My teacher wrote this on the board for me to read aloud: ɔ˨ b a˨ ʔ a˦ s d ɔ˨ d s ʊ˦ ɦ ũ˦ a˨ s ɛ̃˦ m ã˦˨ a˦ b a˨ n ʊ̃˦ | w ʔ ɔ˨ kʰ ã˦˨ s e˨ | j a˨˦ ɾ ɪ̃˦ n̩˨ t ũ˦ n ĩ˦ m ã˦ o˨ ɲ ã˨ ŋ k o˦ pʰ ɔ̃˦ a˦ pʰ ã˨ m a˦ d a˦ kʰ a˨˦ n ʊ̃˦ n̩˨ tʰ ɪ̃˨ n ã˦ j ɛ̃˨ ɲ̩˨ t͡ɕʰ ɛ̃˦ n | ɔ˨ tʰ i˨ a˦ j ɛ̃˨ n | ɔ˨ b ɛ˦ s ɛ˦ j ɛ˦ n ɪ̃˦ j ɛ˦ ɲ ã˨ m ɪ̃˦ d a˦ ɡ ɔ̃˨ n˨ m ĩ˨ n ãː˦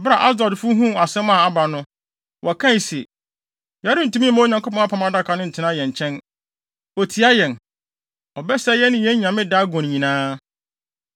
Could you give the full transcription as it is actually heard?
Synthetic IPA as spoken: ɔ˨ b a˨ ʔ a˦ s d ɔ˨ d f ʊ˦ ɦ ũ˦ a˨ s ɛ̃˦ m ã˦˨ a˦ b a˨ n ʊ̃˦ | w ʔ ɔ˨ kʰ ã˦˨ s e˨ | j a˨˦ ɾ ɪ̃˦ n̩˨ t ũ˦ m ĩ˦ m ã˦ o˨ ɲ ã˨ ŋ k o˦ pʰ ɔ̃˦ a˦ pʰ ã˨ m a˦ d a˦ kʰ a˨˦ n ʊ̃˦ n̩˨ tʰ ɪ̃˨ n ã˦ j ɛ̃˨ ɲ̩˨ t͡ɕʰ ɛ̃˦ n | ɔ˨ tʰ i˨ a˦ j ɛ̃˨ n | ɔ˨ b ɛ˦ s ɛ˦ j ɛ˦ n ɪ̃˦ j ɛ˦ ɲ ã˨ m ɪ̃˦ d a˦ ɡ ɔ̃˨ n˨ ɲ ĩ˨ n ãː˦